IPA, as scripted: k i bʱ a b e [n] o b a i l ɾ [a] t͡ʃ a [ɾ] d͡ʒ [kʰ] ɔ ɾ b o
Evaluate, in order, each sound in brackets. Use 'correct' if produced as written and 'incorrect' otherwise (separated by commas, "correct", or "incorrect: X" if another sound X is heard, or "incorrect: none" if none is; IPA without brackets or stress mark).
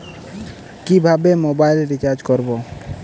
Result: incorrect: m, incorrect: i, correct, incorrect: k